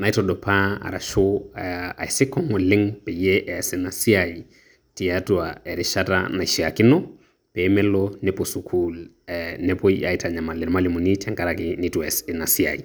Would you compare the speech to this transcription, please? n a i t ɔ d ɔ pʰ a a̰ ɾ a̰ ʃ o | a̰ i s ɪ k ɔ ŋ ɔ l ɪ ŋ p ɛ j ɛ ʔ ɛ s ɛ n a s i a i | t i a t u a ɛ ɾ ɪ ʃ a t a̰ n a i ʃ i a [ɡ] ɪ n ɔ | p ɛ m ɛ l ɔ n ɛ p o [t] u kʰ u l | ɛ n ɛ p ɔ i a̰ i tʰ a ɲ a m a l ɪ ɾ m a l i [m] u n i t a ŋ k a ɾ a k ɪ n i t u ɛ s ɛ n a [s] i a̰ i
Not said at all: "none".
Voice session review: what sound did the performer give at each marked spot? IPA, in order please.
k, s, m, s

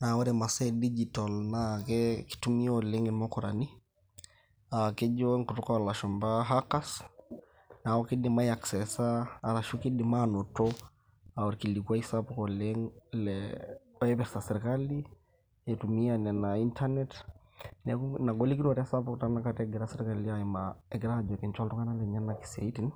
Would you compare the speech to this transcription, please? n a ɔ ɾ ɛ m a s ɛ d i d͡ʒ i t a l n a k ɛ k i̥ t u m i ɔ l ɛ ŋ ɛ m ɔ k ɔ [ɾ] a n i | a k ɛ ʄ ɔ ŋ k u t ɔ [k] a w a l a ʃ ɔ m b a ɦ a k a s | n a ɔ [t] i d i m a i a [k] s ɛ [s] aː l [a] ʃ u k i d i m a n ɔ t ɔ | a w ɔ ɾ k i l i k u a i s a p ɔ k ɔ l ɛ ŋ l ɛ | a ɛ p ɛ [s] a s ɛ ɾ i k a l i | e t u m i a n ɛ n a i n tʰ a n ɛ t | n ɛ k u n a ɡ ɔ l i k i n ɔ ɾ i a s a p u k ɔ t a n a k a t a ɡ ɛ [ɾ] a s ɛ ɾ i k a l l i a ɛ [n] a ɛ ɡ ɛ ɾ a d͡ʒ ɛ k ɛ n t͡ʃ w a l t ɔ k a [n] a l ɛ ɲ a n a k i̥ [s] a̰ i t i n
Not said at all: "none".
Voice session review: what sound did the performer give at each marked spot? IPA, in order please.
ɾ, k, k, k, s, a, s, ɾ, m, n, s

